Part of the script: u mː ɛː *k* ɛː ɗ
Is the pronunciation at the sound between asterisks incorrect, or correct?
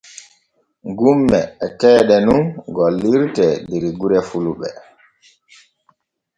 incorrect